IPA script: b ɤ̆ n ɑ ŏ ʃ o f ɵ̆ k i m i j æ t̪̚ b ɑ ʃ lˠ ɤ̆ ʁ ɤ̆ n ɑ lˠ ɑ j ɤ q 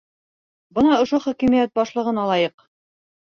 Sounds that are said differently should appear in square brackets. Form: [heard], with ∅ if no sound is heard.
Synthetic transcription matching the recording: b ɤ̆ n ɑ ŏ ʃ o [χ] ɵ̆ k i m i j æ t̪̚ b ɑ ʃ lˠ ɤ̆ ʁ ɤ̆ n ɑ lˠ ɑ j ɤ q